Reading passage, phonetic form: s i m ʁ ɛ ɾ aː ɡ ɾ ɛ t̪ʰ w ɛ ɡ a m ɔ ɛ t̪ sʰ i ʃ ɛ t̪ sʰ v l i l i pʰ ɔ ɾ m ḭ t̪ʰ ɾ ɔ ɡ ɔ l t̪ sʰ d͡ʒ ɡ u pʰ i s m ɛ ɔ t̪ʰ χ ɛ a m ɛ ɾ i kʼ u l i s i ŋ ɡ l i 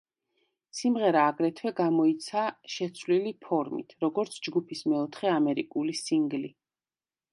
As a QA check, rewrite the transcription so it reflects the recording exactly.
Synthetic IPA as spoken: s i m ʁ ɛ ɾ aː ɡ ɾ ɛ t̪ʰ w ɛ ɡ a m ɔ i t̪ sʰ a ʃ ɛ t̪ sʰ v l i l i pʰ ɔ ɾ m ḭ t̪ʰ ɾ ɔ ɡ ɔ ɾ t̪ sʰ d͡ʒ ɡ u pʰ i s m ɛ ɔ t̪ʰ χ ɛ a m ɛ ɾ i kʼ u l i s i ŋ ɡ l i